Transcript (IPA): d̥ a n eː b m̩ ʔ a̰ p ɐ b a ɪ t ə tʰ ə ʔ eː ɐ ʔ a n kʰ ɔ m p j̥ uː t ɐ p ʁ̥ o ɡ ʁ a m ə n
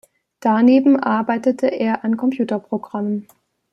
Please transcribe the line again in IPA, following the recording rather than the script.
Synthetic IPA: d̥ a n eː b m̩ ʔ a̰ ɐ b a ɪ t ə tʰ ə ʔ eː ɐ ʔ a n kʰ ɔ m p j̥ uː t ɐ p ʁ̥ o ɡ ʁ a m ə n

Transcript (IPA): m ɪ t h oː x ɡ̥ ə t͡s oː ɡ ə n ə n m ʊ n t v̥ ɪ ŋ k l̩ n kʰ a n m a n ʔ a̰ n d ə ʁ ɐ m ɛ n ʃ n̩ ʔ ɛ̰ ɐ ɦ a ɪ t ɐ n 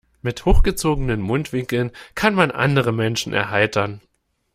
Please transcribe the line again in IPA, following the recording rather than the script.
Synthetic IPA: m ɪ t h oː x ɡ̥ ə t͡s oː ɡ ə n ə n m ʊ n t v̥ ɪ ŋ k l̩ n kʰ a n m a n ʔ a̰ n d ə ʁ ə m ɛ n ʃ n̩ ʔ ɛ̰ ɐ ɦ a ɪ t ɐ n

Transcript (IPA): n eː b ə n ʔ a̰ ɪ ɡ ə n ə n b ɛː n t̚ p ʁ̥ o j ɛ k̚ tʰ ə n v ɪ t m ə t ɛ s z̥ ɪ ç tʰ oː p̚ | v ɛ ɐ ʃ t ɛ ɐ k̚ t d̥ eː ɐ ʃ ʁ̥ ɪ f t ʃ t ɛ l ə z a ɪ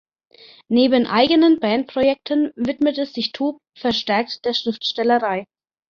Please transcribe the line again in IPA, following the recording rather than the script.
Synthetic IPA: n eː b ə n ʔ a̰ ɪ ɡ ə n ə n b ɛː n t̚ p ʁ̥ o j ɛ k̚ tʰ ə n v ɪ t m ə t ɛ s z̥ ɪ ç tʰ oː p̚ | f ɛ ɐ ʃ t ɛ ɐ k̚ t d̥ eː ɐ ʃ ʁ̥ ɪ f t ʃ t ɛ l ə ʁ a ɪ

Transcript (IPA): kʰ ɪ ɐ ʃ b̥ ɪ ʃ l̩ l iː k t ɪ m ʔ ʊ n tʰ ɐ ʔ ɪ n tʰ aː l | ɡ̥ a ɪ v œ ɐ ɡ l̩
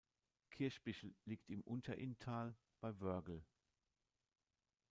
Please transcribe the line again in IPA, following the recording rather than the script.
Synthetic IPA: kʰ ɪ ɐ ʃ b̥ ɪ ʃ l̩ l iː k t ɪ m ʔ ʊ n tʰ ɐ ʔ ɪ n tʰ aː l | b̥ a ɪ v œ ɐ ɡ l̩

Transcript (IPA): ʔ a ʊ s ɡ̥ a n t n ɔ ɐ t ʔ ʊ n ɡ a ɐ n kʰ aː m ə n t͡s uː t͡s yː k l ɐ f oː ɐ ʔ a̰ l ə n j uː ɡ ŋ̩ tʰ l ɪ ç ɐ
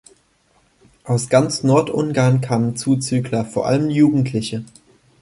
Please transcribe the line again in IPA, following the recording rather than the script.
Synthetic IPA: ʔ a ʊ s ɡ̥ a n t͡s n ɔ ɐ t ʔ ʊ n ɡ a ɐ n kʰ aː m ə n t͡s uː t͡s yː k l ɐ f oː ɐ ʔ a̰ l ə m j uː ɡ ŋ̩ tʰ l ɪ ç ə

